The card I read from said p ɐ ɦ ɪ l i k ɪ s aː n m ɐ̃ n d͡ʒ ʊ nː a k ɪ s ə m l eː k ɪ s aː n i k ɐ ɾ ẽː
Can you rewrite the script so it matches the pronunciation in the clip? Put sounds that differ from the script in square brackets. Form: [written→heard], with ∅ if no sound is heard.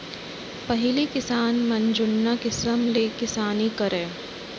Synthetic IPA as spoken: p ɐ ɦ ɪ l i k ɪ s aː n m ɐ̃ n d͡ʒ ʊ nː a k ɪ s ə m l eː k ɪ s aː n i k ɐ ɾ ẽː